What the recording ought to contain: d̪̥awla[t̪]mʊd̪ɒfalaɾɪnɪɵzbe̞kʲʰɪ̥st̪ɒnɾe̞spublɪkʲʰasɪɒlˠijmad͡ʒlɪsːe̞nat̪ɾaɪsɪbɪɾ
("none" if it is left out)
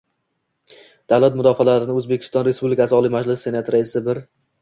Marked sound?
t̪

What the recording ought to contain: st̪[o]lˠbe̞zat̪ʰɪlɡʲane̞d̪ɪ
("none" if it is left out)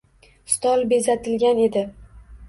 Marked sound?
ɒ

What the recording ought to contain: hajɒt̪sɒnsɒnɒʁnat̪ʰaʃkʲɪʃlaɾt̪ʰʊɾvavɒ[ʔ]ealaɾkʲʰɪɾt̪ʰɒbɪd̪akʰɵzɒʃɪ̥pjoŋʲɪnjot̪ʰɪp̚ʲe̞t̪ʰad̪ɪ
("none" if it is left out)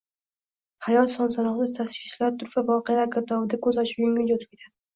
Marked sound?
q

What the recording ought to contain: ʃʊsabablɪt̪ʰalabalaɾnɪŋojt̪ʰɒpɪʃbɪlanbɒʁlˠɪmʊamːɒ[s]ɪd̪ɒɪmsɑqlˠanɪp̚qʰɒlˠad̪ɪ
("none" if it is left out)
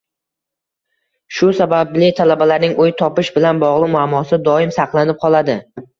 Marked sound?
s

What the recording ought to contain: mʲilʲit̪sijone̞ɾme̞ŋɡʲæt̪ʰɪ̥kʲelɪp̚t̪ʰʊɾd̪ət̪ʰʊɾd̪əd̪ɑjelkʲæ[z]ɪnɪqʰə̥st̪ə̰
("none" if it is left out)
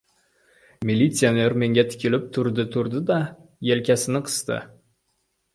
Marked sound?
s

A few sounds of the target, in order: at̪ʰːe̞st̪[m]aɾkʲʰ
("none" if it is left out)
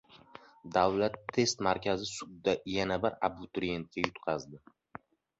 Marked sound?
m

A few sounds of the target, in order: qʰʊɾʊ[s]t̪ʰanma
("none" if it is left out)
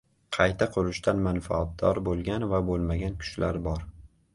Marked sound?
ʃ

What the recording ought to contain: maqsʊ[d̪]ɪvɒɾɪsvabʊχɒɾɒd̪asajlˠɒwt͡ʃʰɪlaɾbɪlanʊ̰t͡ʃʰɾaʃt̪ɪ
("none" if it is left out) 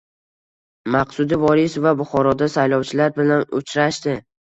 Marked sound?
d̪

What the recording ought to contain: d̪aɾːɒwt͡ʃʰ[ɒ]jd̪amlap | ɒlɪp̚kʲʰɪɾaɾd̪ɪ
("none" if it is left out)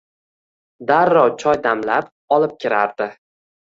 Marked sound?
ɒ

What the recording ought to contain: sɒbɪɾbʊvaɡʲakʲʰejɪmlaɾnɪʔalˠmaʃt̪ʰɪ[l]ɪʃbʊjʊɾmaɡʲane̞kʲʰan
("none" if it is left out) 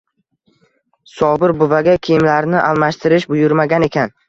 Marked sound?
ɾ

